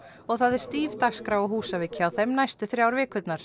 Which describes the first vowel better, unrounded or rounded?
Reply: rounded